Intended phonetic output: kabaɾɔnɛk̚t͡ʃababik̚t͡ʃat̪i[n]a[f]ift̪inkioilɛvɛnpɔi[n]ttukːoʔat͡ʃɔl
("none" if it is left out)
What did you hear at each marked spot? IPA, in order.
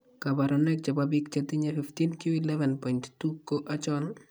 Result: ɲ, f, n

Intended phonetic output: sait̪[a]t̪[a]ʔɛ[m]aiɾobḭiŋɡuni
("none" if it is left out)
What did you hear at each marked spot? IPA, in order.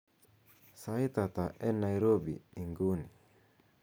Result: a, a, n

